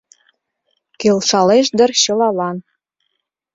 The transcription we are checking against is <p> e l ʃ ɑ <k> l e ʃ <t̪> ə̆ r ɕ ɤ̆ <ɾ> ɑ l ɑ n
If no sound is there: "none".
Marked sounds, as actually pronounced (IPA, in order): k, none, d̪, l

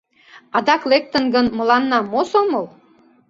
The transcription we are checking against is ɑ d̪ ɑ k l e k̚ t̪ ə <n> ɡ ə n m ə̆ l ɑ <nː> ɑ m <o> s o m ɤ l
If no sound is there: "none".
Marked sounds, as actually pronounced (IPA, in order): n, nː, o

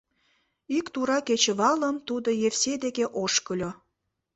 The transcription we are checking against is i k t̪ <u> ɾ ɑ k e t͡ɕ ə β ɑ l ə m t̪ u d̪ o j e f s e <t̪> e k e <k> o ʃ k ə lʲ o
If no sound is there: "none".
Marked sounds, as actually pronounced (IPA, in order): u, d̪, ʔ

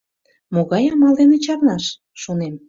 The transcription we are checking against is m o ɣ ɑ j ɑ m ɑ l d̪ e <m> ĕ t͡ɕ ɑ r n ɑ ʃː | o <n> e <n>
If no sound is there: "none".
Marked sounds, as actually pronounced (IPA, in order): n, n, m

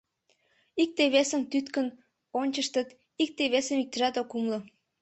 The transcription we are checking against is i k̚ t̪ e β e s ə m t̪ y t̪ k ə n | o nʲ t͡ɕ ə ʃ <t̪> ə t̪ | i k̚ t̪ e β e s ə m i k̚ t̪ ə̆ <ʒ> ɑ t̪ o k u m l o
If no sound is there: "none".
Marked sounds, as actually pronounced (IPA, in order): t̪, ʒ

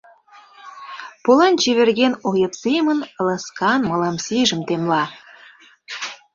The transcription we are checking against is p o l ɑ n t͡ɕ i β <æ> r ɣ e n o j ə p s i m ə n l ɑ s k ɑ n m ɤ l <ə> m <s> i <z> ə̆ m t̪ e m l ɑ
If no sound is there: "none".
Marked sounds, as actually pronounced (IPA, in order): e, ɑ, s, ʒ

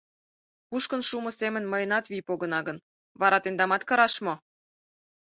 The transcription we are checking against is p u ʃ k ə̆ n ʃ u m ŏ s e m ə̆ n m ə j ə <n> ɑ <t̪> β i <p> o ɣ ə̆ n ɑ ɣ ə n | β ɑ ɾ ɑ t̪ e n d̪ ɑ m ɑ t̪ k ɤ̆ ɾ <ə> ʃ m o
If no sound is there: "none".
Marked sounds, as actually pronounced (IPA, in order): n, t̪, p, ɑ

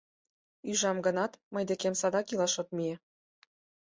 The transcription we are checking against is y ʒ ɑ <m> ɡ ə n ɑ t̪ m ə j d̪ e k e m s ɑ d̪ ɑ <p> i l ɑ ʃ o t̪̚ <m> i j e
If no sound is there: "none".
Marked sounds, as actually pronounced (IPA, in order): m, k, m

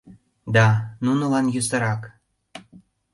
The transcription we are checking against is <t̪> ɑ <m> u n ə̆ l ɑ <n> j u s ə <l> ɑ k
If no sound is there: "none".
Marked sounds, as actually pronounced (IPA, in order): d̪, n, n, ɾ

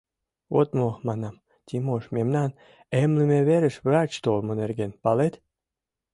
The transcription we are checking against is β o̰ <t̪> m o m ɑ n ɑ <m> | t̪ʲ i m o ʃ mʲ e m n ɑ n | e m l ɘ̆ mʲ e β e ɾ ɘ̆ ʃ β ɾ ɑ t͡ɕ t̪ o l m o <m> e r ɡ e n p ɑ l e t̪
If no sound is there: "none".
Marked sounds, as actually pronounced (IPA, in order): t̪, m, n

